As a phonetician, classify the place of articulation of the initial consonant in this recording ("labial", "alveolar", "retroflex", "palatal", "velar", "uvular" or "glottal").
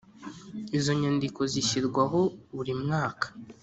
alveolar